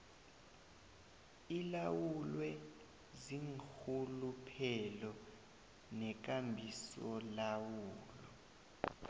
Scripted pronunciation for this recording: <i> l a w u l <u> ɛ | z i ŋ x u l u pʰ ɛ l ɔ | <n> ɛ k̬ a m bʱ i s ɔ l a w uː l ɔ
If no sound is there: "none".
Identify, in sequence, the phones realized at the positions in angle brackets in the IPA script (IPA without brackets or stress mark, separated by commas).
i, w, n